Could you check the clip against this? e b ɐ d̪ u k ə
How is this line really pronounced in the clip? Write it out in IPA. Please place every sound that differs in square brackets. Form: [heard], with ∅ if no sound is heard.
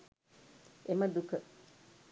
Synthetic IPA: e [m] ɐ d̪ u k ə